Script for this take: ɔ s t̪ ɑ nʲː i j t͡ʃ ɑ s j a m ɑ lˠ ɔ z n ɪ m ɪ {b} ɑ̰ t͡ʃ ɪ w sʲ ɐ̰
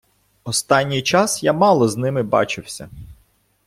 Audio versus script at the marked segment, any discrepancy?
no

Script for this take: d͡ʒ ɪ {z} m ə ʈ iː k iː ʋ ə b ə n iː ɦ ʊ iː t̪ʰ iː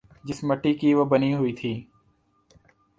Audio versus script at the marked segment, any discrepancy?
yes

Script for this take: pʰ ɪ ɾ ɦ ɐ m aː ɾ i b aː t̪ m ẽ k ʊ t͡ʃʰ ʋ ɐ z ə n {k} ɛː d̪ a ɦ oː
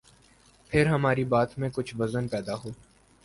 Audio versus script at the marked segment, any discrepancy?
yes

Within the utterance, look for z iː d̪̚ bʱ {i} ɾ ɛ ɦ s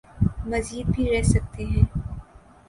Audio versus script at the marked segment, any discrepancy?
no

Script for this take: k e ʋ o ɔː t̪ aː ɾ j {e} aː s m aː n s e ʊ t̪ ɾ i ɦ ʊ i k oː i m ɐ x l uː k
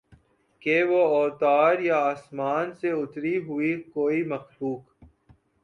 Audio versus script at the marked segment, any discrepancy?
yes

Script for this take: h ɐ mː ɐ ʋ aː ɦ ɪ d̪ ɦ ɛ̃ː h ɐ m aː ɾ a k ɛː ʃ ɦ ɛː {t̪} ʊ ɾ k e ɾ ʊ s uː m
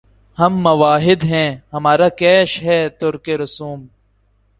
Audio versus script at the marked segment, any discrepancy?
no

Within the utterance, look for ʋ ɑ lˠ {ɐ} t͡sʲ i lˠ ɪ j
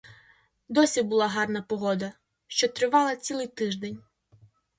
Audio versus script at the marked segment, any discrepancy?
no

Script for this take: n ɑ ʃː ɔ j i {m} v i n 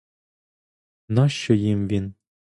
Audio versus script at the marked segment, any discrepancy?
no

